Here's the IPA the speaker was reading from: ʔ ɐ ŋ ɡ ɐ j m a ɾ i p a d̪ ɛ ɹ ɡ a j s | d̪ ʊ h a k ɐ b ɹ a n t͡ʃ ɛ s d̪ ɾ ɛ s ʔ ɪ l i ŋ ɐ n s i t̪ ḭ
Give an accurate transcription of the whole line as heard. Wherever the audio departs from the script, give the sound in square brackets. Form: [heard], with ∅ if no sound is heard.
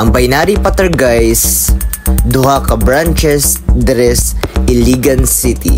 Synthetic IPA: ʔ ɐ ŋ [b] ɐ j [n] a ɾ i p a [t̪] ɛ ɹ ɡ a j s | d̪ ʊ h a k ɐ b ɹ a n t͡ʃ ɛ s d̪ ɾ ɛ s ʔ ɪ l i [ɡ] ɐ n s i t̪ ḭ